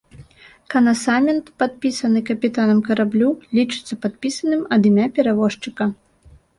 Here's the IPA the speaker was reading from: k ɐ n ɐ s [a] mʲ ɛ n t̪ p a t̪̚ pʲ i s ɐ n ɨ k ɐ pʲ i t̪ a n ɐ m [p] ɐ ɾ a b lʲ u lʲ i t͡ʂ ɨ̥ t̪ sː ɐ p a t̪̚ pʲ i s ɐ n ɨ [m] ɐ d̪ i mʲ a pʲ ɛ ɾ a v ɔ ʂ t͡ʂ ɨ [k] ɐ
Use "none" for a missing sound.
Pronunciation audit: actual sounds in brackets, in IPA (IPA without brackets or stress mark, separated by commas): a, k, m, k